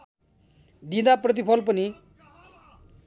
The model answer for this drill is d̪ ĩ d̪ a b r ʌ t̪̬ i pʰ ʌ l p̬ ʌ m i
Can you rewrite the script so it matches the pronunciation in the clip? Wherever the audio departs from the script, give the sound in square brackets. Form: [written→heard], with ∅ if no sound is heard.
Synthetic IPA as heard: d̪ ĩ d̪ a [b→p] r ʌ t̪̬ i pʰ ʌ l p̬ ʌ [m→n] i